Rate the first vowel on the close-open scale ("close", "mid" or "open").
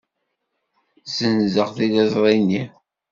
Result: mid